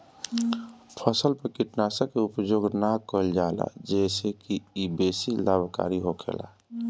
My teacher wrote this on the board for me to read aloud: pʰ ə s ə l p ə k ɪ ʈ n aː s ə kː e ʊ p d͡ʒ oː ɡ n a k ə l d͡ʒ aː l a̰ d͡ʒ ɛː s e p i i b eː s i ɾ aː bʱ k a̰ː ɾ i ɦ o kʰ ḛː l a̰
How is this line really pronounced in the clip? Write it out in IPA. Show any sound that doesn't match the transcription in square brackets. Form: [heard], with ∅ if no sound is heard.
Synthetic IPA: pʰ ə s ə l p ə k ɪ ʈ n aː s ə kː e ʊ p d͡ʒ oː ɡ n a k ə l d͡ʒ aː l a̰ d͡ʒ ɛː s e [k] i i b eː s i [l] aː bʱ k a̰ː ɾ i ɦ o kʰ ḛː l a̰